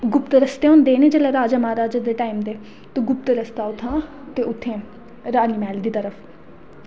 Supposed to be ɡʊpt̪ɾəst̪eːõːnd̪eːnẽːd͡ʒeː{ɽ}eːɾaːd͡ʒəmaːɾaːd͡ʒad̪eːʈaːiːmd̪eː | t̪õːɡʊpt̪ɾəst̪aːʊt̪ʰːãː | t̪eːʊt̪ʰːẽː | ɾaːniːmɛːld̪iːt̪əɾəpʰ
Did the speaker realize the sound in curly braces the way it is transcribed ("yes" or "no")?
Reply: no